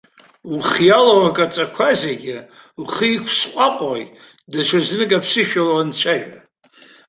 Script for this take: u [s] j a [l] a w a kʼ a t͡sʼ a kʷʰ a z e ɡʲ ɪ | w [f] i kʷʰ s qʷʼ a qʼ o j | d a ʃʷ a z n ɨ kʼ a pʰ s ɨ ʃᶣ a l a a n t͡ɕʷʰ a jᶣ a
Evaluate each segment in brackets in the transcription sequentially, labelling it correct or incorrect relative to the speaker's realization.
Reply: incorrect: χ, correct, incorrect: χ

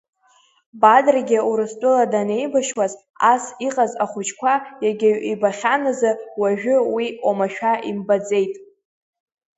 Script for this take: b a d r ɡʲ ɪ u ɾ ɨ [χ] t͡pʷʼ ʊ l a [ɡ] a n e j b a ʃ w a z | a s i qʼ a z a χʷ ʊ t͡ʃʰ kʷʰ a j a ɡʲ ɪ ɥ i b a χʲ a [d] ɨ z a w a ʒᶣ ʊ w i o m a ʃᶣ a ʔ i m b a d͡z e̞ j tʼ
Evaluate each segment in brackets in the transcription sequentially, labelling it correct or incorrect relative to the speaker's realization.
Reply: incorrect: s, incorrect: d, incorrect: n

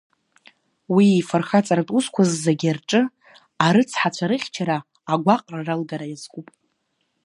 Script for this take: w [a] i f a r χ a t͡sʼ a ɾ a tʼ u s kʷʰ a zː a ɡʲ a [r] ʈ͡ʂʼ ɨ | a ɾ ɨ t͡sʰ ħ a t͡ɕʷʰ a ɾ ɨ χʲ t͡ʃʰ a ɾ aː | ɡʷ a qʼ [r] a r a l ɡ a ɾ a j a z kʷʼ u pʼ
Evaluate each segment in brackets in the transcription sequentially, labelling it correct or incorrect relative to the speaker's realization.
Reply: incorrect: i, correct, correct

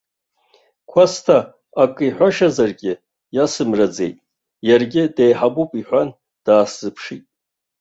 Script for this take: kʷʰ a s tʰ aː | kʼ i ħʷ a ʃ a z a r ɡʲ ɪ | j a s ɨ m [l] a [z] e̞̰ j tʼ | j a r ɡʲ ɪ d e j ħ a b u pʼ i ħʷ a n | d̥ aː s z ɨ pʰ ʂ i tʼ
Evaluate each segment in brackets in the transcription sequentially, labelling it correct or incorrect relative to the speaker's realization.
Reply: incorrect: r, incorrect: d͡z

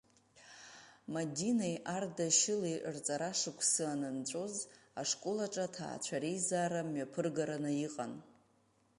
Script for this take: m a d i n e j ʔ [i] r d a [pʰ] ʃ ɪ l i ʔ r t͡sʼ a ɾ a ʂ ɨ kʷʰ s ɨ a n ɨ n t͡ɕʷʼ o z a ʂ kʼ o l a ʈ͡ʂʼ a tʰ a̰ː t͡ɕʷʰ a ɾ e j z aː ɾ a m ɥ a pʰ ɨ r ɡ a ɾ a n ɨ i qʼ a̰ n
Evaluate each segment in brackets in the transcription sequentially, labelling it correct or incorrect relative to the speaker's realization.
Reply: incorrect: a, incorrect: none

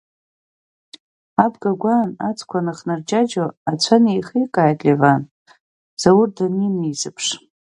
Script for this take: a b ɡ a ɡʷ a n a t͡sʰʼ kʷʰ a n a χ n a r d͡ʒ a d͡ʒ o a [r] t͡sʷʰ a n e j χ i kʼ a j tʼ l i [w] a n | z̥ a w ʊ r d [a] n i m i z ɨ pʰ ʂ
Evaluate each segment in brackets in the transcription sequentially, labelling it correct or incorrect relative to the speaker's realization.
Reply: incorrect: none, incorrect: v, correct

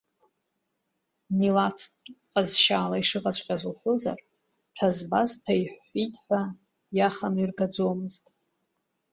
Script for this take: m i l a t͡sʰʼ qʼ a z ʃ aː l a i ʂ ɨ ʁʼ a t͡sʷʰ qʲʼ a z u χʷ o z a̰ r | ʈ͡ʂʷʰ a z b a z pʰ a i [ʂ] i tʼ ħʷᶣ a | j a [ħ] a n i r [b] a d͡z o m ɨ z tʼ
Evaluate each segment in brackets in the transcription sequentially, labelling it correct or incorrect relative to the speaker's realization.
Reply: incorrect: ħ, incorrect: χ, incorrect: ɡ

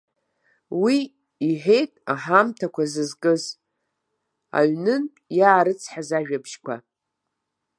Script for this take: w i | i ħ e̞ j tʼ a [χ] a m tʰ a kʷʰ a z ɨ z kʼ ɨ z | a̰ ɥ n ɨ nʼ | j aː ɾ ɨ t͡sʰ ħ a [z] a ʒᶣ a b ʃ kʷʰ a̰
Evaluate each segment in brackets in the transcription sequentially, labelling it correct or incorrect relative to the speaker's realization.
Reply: incorrect: ħ, correct

